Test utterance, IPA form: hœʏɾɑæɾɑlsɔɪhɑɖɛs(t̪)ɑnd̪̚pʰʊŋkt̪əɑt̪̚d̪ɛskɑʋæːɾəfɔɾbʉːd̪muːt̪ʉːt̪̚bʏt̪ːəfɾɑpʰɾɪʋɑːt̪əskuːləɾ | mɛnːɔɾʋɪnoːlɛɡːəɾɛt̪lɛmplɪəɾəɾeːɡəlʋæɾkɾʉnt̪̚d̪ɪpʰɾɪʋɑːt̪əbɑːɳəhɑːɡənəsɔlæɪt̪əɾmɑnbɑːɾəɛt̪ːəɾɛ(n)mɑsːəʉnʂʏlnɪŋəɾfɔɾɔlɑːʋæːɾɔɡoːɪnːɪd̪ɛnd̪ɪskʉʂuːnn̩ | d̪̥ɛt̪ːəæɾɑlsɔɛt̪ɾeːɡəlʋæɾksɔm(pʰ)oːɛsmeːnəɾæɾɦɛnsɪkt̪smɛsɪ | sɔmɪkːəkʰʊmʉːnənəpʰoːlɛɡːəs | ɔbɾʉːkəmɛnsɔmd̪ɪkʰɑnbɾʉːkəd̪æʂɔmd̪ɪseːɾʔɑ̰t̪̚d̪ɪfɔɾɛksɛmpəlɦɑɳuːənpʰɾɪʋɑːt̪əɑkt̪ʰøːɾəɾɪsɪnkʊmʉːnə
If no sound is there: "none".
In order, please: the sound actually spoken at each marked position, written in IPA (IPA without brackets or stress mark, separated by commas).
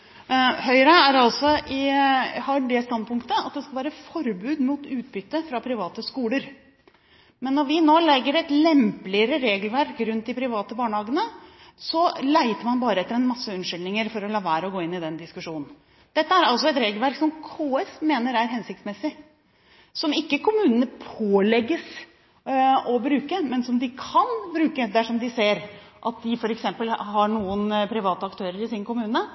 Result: t̪, n, kʰ